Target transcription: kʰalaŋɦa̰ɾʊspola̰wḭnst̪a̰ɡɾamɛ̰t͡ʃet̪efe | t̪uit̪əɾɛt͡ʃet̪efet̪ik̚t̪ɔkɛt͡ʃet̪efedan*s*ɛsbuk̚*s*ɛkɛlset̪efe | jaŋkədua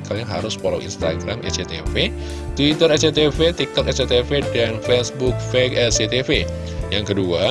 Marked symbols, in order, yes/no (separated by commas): no, no